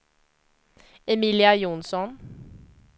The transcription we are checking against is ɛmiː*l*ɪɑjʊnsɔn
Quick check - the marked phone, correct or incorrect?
correct